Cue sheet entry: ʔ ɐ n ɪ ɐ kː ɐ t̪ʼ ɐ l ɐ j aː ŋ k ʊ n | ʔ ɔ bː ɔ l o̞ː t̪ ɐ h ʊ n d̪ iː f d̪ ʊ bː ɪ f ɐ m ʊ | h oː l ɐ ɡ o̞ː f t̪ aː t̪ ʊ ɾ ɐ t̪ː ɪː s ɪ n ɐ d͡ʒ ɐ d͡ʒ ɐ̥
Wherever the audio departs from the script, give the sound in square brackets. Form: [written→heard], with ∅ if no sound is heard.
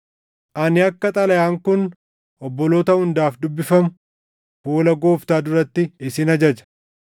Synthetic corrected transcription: ʔ ɐ n ɪ ɐ kː ɐ t̪ʼ ɐ l ɐ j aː ŋ k ʊ n | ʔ ɔ bː ɔ l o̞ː t̪ ɐ h ʊ n d̪ [iː→aː] f d̪ ʊ bː ɪ f ɐ m ʊ | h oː l ɐ ɡ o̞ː f t̪ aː [t̪→d̪] ʊ ɾ ɐ t̪ː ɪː s ɪ n ɐ d͡ʒ ɐ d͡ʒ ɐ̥